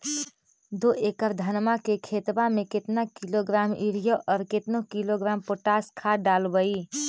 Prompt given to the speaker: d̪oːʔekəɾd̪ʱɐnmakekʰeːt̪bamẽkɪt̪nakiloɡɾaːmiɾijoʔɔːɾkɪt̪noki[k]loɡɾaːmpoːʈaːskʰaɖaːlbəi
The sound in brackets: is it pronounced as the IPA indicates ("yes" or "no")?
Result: no